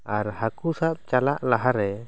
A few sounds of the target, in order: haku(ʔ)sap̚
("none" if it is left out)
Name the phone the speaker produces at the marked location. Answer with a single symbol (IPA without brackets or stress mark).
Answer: none